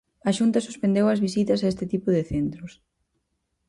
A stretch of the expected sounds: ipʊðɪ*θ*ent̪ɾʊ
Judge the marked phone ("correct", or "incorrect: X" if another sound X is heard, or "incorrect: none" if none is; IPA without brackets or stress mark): correct